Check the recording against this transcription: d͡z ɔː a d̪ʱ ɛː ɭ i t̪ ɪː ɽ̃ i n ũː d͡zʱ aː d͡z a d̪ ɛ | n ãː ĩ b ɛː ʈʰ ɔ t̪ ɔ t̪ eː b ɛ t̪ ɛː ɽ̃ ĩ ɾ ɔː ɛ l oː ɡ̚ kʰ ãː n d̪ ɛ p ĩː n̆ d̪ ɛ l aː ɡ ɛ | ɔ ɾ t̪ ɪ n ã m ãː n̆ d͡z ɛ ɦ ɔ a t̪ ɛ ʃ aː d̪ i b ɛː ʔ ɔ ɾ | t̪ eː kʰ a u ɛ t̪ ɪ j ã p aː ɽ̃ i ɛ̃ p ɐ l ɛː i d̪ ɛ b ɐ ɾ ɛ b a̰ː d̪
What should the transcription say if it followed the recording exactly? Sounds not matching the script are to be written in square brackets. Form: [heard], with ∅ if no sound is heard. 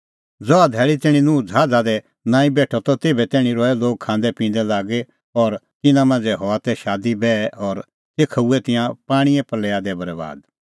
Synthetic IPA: d͡z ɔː a d̪ʱ ɛː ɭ i t̪ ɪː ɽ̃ i n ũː d͡zʱ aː d͡z a d̪ ɛ | n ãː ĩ b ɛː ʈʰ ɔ t̪ ɔ t̪ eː b ɛ t̪ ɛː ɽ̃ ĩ ɾ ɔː ɛ l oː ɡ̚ kʰ ãː n d̪ ɛ p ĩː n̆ d̪ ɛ l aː ɡ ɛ | ɔ ɾ t̪ ɪ n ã m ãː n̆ d͡z ɛ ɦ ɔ a t̪ ɛ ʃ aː d̪ i b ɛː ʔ ɔ ɾ | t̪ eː kʰ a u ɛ t̪ ɪ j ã p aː ɽ̃ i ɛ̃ p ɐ l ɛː [a] d̪ ɛ b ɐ ɾ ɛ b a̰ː d̪